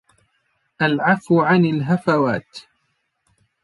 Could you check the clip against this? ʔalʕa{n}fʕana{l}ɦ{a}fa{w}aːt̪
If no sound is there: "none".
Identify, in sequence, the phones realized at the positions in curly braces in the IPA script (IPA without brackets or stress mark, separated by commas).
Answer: none, l, a, w